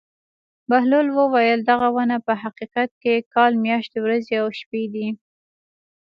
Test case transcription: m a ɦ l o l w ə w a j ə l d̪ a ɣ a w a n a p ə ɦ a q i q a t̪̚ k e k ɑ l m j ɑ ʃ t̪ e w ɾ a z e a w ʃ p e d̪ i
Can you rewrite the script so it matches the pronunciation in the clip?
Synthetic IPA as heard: b a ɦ l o l w ə w a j ə l d̪ a ɣ a w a n a p ə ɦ a q i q a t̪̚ k e k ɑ l m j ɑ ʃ t̪ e w ɾ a z e a w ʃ p e d̪ i